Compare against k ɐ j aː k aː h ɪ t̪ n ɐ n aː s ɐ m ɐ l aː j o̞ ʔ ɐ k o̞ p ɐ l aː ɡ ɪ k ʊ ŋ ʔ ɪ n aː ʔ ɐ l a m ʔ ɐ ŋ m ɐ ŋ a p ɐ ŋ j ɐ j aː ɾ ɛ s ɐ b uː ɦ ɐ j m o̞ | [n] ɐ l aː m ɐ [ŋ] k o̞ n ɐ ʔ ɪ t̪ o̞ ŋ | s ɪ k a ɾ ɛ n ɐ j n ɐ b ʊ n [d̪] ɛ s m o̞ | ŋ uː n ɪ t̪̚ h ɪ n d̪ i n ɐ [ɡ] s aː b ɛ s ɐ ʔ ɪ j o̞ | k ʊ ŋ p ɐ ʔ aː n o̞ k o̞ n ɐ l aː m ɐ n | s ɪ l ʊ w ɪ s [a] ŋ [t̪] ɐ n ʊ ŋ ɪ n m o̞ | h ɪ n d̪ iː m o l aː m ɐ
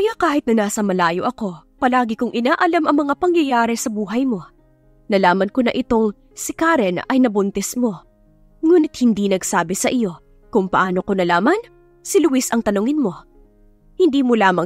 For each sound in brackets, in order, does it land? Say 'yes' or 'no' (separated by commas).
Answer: yes, no, no, yes, no, yes